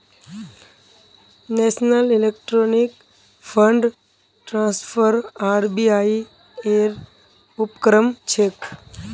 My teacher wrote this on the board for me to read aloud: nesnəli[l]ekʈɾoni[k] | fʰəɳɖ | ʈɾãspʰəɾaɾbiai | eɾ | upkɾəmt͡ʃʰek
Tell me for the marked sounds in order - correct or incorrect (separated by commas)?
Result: correct, correct